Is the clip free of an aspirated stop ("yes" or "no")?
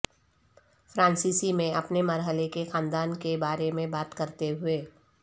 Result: yes